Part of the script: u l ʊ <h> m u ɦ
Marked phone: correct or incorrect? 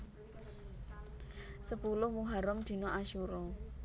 correct